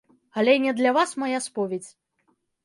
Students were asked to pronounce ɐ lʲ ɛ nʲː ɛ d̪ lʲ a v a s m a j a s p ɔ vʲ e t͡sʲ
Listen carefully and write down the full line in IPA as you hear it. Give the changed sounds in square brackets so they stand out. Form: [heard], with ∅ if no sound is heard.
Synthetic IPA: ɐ lʲ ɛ [nʲ] ɛ d̪ lʲ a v a s m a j a s p ɔ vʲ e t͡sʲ